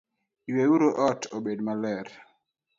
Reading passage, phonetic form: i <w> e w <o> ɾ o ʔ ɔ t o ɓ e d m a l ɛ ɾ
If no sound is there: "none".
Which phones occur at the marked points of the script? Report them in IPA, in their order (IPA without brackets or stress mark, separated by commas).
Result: w, u